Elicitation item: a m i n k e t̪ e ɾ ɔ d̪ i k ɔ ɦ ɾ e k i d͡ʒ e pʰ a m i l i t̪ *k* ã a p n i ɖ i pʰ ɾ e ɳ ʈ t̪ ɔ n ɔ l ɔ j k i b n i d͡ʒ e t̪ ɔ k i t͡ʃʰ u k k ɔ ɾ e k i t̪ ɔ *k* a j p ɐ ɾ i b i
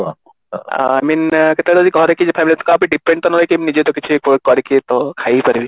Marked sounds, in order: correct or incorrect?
correct, incorrect: kʰ

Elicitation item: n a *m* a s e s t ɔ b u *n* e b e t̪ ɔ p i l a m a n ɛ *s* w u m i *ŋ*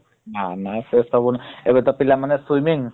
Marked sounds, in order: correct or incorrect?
incorrect: n, correct, correct, correct

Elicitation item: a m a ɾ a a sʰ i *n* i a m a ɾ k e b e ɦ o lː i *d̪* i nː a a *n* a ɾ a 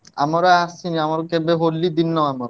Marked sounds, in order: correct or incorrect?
correct, correct, incorrect: m

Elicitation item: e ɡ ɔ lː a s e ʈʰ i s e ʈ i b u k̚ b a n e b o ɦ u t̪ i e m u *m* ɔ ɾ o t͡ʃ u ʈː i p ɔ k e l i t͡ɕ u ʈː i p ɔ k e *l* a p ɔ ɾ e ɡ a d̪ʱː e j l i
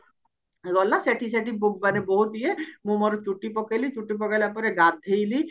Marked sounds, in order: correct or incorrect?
correct, correct

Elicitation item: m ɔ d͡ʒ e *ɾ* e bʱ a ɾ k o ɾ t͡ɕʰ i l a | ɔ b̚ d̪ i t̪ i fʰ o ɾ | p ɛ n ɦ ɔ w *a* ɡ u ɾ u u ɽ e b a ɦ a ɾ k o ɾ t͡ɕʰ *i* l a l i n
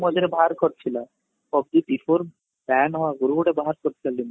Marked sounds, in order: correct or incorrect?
correct, correct, correct

